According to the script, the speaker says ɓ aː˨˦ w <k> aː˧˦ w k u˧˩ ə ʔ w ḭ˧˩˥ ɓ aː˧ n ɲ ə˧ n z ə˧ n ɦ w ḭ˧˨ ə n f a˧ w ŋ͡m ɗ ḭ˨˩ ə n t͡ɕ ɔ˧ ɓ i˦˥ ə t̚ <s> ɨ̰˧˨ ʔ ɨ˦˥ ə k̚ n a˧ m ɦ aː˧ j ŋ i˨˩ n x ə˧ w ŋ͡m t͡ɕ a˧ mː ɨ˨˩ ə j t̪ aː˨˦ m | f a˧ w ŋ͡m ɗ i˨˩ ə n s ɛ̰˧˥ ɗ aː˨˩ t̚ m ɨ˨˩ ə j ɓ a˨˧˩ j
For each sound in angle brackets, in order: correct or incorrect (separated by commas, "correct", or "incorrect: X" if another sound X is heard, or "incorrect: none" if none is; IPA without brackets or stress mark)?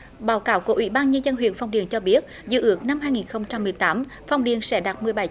correct, incorrect: z